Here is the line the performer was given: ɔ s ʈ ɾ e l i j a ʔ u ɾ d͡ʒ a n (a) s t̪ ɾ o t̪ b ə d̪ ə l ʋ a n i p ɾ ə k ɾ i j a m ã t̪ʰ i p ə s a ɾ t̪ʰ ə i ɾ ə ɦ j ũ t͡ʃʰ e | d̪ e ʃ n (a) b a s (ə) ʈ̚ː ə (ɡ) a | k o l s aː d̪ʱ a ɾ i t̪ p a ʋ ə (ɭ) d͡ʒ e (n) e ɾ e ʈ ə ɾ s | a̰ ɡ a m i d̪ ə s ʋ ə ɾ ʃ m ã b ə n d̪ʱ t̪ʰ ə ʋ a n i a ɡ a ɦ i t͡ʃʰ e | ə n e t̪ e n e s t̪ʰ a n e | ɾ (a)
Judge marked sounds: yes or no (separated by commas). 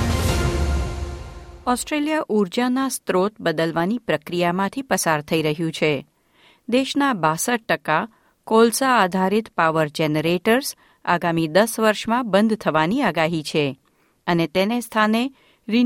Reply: yes, yes, yes, no, no, yes, no